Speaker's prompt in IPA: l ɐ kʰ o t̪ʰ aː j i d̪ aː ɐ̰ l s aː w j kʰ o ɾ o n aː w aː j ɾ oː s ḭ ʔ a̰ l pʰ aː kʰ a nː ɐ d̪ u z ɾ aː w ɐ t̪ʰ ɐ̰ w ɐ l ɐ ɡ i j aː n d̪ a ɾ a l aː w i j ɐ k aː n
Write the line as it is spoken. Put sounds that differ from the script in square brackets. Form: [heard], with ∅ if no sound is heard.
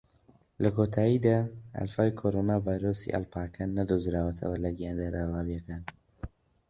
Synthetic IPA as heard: l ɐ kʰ o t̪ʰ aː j i d̪ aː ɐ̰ l [f] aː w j kʰ o ɾ o n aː [v] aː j ɾ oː s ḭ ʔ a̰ l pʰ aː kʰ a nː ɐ d̪ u z ɾ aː w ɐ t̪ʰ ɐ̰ w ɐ l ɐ ɡ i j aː n d̪ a ɾ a l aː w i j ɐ k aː n